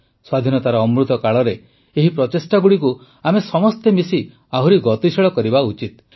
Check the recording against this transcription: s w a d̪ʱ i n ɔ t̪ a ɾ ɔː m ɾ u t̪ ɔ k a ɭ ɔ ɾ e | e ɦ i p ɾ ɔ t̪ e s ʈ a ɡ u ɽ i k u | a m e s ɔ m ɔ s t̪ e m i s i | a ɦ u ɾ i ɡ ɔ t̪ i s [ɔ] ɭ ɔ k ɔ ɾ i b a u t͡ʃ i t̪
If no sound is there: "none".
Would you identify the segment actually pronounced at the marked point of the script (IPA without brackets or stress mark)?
ɔ